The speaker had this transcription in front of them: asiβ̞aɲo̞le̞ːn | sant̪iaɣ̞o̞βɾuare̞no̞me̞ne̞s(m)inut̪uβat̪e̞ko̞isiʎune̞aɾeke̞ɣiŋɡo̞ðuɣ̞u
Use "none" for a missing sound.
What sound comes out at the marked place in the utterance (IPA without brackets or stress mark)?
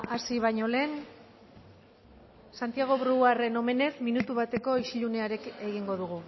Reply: m